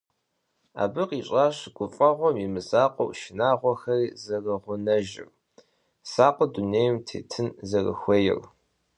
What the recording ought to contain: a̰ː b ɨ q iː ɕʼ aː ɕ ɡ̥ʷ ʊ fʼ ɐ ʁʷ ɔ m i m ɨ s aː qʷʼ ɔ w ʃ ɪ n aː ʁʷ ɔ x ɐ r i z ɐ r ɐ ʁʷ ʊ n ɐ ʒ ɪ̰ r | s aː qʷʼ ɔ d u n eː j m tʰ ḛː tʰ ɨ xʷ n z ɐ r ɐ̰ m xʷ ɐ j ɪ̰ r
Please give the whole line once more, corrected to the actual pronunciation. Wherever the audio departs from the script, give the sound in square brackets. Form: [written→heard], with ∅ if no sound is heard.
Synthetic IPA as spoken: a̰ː b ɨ q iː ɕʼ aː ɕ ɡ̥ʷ ʊ fʼ ɐ ʁʷ ɔ m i m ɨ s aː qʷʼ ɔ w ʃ ɪ n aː ʁʷ ɔ x ɐ r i z ɐ r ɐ ʁʷ ʊ n ɐ ʒ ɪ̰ r | s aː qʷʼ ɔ d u n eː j m tʰ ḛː tʰ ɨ [xʷ→∅] n z ɐ r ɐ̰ [m→∅] xʷ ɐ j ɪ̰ r